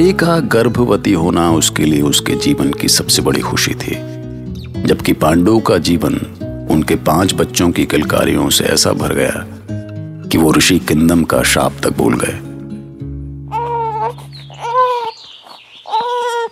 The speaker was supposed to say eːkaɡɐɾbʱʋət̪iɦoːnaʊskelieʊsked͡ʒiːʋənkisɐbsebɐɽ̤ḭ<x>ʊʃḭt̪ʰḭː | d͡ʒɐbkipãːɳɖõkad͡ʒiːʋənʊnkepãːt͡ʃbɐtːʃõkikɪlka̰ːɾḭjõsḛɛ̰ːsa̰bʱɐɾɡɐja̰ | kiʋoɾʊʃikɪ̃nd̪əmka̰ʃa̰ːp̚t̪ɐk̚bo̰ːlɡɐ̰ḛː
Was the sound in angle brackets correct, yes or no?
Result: yes